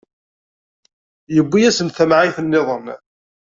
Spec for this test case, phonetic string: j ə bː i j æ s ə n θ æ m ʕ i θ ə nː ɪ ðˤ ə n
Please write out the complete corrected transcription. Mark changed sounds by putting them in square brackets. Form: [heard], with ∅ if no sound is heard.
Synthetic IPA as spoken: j ə bː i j æ s ə n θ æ m ʕ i θ ə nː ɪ ðˤ ə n